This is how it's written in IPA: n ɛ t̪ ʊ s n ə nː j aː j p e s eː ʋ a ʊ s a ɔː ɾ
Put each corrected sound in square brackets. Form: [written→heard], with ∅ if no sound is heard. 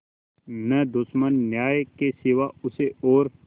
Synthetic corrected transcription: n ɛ [t̪→d̪] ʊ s [n→m] ə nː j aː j [p→k] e s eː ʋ a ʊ s [a→e] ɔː ɾ